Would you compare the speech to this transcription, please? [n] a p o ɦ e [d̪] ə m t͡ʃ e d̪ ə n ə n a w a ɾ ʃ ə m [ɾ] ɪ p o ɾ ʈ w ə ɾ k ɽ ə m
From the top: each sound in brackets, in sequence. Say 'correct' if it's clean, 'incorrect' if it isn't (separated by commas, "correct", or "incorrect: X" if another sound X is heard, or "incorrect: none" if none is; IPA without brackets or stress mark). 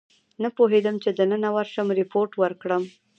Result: correct, correct, correct